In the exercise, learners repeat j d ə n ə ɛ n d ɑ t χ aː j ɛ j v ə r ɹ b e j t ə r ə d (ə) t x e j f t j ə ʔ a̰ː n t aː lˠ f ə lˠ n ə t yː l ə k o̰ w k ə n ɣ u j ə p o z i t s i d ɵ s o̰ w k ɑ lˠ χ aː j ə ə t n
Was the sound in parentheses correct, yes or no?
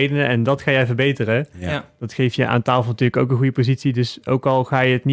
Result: no